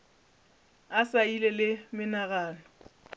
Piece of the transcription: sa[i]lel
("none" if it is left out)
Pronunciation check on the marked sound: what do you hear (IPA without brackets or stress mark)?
i